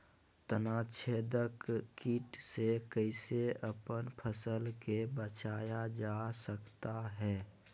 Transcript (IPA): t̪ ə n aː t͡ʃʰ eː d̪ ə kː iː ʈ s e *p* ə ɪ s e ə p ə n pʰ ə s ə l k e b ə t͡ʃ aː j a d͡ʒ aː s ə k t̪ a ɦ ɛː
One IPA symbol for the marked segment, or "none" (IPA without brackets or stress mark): k